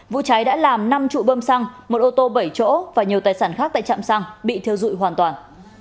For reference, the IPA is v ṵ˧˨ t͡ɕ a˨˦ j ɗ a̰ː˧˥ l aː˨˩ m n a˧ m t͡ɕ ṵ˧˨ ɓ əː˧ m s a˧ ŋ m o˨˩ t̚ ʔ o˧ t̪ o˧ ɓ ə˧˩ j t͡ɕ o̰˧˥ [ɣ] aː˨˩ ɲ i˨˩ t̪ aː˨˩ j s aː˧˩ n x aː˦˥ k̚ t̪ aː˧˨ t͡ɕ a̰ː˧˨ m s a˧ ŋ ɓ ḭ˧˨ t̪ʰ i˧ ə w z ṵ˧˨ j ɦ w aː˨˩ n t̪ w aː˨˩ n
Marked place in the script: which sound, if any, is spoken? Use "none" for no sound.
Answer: v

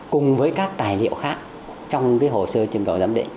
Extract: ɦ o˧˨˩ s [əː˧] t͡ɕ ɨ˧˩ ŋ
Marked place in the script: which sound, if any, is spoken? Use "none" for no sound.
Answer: əː˧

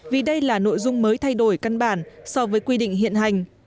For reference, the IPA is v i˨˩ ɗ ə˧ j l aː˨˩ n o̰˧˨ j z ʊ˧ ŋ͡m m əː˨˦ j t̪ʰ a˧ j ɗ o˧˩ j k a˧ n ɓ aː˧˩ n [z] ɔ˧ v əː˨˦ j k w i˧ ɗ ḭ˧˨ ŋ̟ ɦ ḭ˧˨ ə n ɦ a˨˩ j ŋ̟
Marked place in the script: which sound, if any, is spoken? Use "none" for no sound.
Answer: s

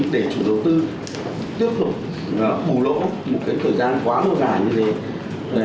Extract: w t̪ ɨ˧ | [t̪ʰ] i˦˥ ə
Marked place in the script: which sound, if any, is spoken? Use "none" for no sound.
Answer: t̪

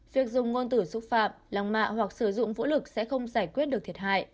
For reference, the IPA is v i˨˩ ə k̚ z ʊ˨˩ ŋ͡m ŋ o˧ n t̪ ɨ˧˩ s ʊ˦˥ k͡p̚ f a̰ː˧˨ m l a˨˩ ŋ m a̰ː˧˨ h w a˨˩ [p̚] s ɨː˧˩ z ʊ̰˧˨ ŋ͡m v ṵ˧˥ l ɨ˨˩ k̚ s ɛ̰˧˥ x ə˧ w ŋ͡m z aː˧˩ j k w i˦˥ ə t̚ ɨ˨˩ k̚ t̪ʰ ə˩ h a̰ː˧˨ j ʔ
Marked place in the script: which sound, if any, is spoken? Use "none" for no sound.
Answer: k̚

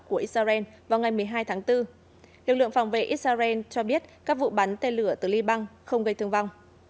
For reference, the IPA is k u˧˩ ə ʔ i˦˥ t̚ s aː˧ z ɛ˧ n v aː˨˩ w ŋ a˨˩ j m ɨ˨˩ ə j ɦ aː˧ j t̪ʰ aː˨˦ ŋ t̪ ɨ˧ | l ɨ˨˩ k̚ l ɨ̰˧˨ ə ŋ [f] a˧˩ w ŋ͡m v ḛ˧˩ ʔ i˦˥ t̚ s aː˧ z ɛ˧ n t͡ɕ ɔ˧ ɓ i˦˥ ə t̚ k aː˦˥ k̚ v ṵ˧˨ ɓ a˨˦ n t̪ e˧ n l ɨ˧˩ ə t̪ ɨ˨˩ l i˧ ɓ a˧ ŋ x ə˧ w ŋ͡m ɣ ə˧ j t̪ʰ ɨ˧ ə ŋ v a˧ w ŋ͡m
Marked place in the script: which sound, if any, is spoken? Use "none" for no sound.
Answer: f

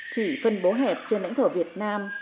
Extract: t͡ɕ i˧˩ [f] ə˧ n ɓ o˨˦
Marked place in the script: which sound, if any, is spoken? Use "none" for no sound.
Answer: f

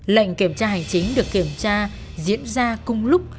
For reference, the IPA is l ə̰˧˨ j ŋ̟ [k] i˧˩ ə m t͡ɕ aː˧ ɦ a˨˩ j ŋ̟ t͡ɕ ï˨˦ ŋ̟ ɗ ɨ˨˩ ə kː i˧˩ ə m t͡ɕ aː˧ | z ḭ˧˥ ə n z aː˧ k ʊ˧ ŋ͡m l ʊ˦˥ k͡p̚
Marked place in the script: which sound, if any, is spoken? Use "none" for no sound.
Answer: k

